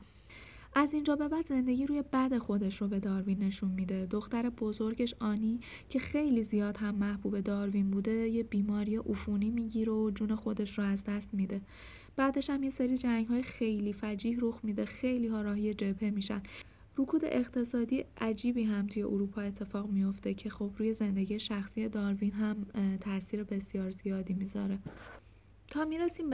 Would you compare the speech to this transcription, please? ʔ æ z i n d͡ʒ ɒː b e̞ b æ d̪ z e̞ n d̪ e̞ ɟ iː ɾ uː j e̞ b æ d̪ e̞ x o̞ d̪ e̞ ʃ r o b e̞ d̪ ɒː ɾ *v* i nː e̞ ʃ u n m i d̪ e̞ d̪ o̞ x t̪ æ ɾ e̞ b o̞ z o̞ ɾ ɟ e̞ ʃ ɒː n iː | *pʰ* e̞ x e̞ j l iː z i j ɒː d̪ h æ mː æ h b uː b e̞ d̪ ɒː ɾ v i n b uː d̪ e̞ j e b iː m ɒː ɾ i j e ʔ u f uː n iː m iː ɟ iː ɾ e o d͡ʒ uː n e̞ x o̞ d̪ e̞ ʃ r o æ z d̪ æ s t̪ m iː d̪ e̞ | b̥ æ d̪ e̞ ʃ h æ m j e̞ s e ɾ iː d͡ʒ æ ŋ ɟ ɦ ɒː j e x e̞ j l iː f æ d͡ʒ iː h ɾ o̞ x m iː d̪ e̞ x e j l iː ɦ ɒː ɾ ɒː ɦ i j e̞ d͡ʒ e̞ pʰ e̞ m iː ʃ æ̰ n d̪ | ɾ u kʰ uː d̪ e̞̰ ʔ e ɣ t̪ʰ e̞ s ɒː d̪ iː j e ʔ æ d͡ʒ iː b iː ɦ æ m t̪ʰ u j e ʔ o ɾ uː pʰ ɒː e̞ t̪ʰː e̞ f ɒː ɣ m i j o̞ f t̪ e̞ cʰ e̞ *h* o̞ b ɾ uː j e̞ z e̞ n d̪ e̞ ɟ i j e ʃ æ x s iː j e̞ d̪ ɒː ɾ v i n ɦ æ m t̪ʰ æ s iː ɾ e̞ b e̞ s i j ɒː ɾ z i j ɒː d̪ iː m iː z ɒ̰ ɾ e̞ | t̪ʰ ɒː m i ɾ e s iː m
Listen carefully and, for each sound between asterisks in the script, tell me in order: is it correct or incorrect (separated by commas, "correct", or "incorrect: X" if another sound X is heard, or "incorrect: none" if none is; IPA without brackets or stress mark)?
correct, incorrect: cʰ, incorrect: x